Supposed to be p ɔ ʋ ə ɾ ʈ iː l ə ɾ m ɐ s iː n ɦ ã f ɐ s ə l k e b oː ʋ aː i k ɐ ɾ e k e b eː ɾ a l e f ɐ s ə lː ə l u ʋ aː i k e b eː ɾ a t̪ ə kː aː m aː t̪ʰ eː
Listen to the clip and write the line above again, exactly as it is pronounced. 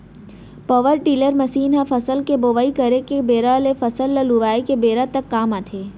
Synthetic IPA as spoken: p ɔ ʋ ə ɾ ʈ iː l ə ɾ m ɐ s iː n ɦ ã f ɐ s ə l k e b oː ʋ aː i k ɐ ɾ e k e b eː ɾ a l e f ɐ s ə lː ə l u ʋ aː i k e b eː ɾ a t̪ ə kː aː m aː t̪ʰ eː